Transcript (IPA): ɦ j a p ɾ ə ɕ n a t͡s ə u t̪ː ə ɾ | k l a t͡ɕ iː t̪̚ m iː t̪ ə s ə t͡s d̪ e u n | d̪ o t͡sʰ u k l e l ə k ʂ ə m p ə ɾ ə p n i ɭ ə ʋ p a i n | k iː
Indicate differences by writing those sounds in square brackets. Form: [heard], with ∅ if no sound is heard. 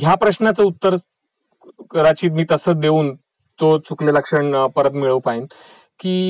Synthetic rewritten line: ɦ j a p ɾ ə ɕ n a t͡s ə u t̪ː ə ɾ | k [ɾ] a t͡ɕ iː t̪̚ m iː t̪ ə s ə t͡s d̪ e [uː] n | [t̪] o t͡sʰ u k l e l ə k ʂ ə [ɳ] p ə ɾ ə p [m] i ɭ ə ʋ p a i n | k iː